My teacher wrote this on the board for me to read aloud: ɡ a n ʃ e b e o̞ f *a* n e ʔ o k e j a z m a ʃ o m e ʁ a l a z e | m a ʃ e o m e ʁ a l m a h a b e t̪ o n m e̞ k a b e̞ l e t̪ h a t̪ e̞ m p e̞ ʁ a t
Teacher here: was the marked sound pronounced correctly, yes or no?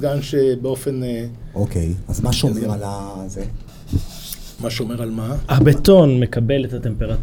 no